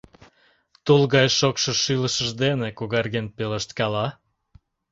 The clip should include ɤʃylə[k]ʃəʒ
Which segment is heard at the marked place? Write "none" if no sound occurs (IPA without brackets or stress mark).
none